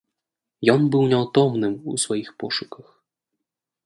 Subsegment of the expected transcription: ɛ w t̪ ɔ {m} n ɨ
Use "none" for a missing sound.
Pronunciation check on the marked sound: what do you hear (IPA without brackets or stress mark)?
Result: m